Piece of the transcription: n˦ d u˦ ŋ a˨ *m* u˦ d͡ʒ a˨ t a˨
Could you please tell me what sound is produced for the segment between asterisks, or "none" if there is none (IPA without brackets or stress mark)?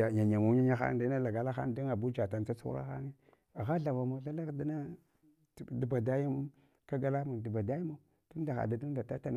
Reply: b